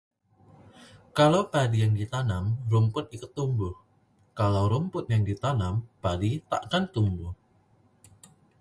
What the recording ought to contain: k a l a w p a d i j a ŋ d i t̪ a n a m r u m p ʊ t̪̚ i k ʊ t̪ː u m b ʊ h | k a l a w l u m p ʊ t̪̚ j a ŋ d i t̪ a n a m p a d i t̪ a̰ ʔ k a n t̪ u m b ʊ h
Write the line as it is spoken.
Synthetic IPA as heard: k a l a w p a d i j a ŋ d i t̪ a n a m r u m p ʊ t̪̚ i k ʊ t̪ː u m b ʊ h | k a l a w ɾ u m p ʊ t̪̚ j a ŋ d i t̪ a n a m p a d i t̪ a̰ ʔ k a n t̪ u m b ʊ h